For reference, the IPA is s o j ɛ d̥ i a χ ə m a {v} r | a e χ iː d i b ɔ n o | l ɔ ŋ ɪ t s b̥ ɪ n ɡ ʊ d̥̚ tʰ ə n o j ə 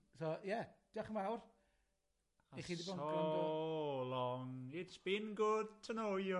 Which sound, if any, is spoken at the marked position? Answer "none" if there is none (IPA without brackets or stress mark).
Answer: w